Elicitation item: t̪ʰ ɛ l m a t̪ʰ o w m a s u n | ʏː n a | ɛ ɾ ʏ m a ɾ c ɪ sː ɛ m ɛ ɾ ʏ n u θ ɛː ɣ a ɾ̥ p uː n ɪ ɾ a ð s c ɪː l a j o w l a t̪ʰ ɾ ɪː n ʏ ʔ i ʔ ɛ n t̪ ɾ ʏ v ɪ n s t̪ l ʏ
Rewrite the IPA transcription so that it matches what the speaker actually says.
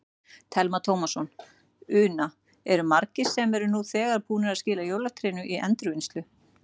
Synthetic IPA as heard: t̪ʰ ɛ l m a t̪ʰ o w m a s ɔ n | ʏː n a | ɛ ɾ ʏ m a ɾ c ɪ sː ɛ m ɛ ɾ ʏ n u θ ɛː ɣ a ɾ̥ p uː n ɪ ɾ a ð s c ɪː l a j o w l a t̪ʰ ɾ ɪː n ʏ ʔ i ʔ ɛ n t̪ ɾ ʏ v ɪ n s t̪ l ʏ